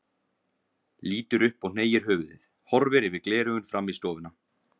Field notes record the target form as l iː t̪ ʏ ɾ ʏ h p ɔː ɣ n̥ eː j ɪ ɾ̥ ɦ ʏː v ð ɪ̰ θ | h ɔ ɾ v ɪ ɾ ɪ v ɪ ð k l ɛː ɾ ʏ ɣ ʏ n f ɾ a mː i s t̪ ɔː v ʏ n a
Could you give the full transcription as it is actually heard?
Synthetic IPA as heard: l iː t̪ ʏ ɾ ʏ h p ɔ ɣ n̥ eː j ɪ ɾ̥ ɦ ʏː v ð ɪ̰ θ | h ɔ ɾ v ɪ ɾ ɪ v ɪ ð k l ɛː ɾ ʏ ɣ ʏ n f ɾ a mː i s t̪ ɔː v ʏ n a

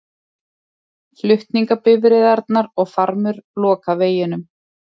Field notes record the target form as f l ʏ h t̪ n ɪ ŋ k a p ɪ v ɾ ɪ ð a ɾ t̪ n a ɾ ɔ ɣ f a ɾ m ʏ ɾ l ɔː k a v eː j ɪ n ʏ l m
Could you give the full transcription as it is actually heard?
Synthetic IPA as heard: f l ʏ h t̪ n i ŋ k a p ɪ v ɾ ɪ ð a ɾ t̪ n a ɾ ɔ ɣ f a ɾ m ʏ ɾ l ɔː k a v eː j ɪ n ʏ m

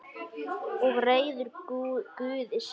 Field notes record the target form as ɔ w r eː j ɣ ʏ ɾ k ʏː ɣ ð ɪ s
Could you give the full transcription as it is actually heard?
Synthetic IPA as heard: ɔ ɣ r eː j ð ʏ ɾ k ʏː ð ɪ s

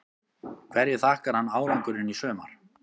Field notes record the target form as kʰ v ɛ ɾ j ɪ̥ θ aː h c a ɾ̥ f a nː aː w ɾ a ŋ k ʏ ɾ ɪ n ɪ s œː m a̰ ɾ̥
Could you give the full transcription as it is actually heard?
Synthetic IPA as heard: kʰ v ɛ ɾ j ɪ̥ θ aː h k a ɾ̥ h a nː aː w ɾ a ŋ k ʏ ɾ ɪ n i s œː m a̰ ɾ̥

